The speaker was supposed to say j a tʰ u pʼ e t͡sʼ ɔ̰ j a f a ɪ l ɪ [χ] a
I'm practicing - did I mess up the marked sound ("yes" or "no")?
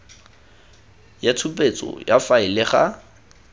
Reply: no